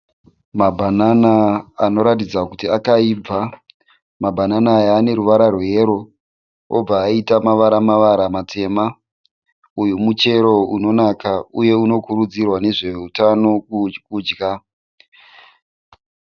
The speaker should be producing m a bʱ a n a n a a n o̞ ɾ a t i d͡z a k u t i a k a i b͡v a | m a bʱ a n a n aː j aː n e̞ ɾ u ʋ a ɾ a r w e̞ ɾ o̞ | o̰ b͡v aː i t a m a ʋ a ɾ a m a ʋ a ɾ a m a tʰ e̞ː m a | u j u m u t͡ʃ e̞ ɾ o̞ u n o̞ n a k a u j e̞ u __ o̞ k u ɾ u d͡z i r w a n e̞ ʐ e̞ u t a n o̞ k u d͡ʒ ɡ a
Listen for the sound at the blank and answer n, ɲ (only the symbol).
n